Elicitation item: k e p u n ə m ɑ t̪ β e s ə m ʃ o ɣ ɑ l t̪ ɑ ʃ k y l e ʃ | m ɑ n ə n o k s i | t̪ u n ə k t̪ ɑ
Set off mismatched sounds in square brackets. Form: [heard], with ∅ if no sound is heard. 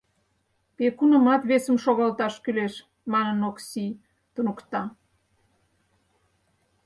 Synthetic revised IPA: [p] e [k] u n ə m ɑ t̪ β e s ə m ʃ o ɣ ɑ l t̪ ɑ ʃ k y l e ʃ | m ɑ n ə n o k s i | t̪ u n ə k t̪ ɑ